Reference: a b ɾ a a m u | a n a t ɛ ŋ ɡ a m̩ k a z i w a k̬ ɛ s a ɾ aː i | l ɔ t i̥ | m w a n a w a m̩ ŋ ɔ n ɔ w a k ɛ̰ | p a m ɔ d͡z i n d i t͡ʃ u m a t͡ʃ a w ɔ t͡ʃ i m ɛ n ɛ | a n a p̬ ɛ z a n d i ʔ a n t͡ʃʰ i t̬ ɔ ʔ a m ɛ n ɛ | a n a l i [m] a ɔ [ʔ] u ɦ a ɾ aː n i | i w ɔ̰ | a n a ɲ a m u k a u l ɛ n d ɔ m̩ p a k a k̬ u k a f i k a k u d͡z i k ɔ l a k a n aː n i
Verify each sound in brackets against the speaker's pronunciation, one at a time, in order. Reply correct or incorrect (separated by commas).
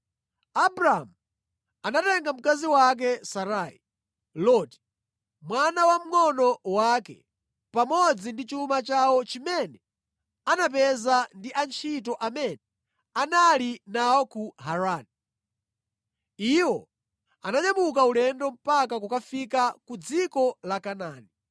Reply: incorrect, incorrect